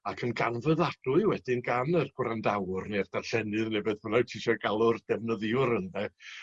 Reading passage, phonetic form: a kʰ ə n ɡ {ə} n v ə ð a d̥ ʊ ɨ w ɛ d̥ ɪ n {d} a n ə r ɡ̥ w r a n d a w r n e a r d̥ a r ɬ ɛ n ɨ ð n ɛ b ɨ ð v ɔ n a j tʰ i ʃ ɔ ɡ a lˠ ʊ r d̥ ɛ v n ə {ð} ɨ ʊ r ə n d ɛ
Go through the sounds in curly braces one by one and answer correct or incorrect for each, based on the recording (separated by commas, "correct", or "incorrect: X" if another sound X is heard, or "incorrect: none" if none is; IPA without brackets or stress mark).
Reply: incorrect: a, incorrect: ɡ, correct